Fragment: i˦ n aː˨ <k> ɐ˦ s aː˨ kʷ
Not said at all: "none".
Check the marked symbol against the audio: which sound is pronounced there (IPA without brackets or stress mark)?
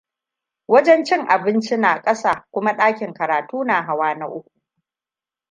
kʼ